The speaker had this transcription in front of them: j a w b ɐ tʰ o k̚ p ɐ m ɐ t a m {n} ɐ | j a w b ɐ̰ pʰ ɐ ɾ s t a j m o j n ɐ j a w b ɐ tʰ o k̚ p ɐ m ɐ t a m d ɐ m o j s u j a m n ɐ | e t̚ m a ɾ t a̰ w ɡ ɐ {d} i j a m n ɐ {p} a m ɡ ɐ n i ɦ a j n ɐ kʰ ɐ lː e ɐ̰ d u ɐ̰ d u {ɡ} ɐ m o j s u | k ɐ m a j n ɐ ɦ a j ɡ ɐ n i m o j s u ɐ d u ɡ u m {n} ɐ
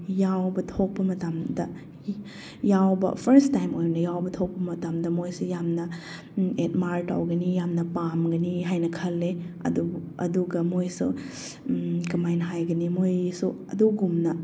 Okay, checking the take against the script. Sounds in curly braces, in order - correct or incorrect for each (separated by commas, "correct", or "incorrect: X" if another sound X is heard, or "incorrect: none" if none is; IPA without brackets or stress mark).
incorrect: d, incorrect: n, correct, correct, correct